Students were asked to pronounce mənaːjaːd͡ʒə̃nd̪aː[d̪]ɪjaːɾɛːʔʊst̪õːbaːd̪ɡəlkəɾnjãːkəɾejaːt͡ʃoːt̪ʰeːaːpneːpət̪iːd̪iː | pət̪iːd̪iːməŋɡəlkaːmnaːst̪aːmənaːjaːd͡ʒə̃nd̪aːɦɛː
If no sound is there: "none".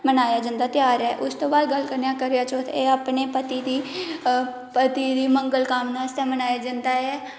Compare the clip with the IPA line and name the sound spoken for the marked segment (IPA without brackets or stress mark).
t̪